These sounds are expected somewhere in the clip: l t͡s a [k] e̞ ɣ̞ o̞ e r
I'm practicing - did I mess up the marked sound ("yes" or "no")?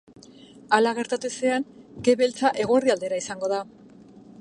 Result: yes